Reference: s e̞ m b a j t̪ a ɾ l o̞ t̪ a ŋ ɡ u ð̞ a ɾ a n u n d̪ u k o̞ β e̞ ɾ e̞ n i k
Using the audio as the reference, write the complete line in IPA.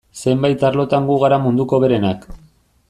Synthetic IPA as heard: s e̞ m b a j t̪ a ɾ l o̞ t̪ a ŋ ɡ u ɣ̞ a ɾ a m u n d̪ u k o̞ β e̞ ɾ e̞ n a k